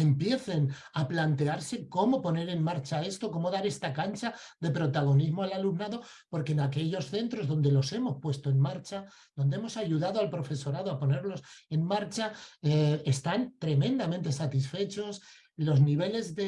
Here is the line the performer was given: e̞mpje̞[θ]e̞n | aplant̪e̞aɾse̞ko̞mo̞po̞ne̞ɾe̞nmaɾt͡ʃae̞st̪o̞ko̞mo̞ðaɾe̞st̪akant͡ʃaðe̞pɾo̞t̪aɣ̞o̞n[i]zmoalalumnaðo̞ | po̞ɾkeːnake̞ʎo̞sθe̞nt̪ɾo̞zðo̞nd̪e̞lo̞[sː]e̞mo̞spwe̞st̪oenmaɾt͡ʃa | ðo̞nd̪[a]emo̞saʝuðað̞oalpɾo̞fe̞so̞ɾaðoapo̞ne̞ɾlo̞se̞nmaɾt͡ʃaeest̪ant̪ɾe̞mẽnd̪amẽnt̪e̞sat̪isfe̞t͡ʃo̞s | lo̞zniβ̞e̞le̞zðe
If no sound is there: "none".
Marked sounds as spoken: θ, i, s, e

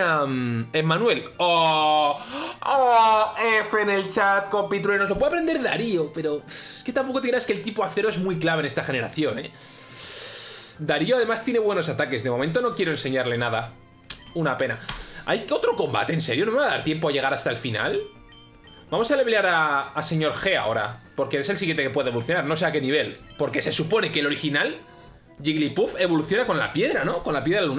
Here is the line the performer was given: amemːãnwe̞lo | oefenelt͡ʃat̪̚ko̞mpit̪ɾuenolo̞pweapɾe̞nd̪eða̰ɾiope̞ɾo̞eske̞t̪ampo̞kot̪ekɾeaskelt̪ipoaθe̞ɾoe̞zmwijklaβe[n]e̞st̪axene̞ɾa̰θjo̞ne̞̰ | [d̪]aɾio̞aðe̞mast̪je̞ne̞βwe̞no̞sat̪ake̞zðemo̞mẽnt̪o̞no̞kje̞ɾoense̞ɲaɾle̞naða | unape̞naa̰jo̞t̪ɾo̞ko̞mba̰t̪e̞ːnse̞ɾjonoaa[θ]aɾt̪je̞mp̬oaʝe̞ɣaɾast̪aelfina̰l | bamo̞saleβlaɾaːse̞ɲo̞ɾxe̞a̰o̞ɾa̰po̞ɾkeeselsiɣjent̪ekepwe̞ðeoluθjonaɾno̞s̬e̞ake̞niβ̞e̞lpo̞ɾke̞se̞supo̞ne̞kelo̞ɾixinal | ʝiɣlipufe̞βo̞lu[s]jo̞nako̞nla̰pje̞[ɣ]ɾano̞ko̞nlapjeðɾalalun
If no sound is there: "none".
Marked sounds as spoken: n, d̪, ð, θ, ð

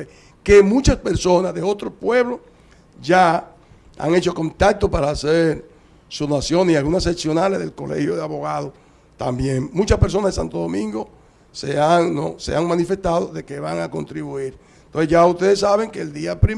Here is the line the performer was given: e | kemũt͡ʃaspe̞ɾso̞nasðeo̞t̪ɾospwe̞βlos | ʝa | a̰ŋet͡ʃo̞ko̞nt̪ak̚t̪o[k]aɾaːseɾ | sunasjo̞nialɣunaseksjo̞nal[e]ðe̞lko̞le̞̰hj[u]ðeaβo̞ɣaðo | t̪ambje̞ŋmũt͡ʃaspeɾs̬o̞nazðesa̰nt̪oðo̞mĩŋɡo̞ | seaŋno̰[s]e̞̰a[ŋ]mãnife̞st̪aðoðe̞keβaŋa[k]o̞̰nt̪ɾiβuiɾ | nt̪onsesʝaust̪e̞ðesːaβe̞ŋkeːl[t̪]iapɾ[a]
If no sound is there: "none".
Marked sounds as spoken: p, e, o, s, ŋ, k, d̪, i

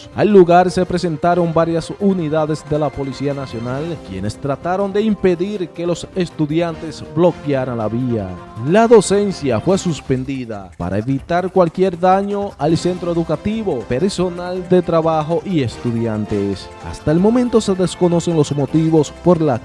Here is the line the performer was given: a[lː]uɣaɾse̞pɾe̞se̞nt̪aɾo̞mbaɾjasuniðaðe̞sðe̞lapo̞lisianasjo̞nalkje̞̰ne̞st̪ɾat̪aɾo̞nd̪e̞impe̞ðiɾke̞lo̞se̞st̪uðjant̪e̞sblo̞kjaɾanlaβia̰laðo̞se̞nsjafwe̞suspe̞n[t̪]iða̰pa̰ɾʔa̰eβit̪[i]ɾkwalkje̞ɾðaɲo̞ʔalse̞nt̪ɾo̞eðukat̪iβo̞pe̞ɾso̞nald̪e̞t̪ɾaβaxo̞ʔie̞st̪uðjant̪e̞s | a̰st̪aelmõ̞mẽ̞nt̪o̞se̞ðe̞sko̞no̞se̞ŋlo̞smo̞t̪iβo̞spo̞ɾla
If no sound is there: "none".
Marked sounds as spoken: lː, d̪, a

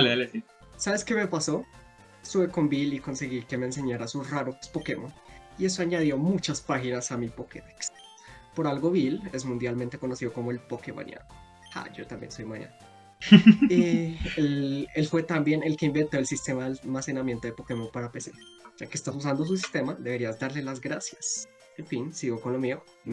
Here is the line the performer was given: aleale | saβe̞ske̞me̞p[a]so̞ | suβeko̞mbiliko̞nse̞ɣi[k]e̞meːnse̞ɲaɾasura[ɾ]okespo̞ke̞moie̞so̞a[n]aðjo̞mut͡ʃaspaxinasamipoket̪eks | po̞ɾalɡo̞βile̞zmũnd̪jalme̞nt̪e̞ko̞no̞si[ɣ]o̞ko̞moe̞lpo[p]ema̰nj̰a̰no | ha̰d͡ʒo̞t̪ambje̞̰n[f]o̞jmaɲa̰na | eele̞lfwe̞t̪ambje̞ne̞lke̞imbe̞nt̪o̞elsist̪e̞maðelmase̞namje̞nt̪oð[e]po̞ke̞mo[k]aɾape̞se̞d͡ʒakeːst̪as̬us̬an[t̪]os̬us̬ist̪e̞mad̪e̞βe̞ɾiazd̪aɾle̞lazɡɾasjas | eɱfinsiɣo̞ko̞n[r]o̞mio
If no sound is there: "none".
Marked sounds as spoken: a, k, ɾ, ɲ, ð, k, s, e, p, d̪, l

